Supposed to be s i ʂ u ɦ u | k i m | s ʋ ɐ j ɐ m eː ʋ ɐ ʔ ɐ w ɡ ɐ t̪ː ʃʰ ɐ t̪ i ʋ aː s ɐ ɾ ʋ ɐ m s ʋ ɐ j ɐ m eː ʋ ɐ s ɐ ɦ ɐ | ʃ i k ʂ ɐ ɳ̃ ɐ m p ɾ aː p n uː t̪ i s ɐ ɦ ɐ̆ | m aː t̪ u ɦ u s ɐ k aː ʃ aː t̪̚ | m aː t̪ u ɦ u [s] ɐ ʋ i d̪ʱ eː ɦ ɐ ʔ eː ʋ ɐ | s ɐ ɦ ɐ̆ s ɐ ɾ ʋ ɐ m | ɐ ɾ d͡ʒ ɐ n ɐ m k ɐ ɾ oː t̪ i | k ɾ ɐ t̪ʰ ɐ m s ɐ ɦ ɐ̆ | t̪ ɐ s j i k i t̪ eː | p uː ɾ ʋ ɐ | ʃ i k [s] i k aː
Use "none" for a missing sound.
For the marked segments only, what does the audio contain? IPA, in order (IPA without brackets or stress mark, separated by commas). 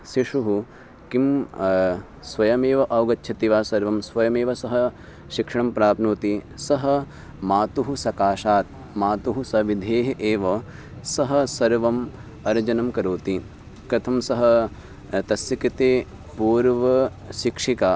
s, ʂ